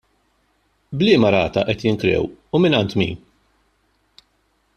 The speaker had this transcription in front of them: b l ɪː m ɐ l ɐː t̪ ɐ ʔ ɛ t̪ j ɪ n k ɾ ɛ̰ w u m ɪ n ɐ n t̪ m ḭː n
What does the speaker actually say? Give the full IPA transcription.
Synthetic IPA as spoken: b l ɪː m ɐ ɾ ɐː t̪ ɐ ʔ ɛ t̪ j ɪ ŋ k ɾ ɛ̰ w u m ɪ n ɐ n t̪ m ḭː n